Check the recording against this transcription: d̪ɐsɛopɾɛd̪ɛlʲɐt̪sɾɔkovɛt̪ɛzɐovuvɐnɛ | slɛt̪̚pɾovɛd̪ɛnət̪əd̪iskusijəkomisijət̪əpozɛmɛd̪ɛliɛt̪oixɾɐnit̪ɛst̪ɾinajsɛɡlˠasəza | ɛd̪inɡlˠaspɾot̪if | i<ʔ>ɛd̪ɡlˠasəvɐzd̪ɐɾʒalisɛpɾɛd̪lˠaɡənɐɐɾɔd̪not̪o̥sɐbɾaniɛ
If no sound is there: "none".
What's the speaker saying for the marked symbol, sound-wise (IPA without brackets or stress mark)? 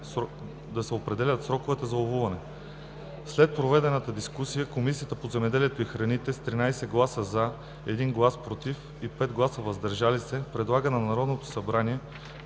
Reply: p